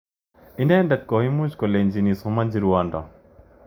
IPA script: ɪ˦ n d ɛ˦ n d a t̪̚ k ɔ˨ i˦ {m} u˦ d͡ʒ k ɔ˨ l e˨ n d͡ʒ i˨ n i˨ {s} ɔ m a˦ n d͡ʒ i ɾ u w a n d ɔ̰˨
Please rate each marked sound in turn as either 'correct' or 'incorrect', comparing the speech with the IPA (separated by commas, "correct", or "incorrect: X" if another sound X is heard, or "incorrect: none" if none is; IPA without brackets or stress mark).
correct, correct